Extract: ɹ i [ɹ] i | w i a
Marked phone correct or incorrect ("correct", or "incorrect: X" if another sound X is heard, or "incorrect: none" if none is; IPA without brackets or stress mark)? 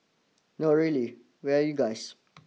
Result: incorrect: l